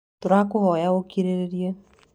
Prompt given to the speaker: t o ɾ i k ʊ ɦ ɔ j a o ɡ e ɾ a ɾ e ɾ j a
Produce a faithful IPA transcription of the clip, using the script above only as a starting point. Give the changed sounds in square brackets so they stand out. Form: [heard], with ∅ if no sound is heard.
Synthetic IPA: t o ɾ [a] k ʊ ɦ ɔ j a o [k] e ɾ [e] ɾ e ɾ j [e]